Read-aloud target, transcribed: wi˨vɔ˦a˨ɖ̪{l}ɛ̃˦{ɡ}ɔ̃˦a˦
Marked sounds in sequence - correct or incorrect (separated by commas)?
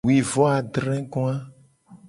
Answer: incorrect, correct